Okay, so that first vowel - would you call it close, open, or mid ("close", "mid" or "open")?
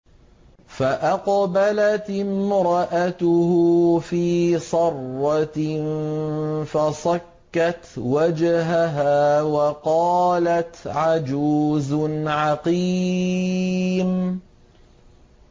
open